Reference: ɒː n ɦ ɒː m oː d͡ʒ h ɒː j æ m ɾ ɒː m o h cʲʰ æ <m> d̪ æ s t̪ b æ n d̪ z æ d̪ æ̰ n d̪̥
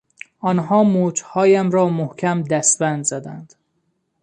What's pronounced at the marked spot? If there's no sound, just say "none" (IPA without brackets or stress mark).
m